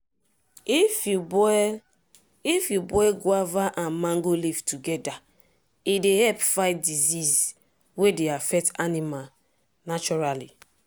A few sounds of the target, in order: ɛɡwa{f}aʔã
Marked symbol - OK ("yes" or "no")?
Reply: no